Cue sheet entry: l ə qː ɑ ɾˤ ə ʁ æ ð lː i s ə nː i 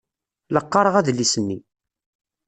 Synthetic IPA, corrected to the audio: l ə qː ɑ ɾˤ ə ʁ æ ð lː i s ə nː i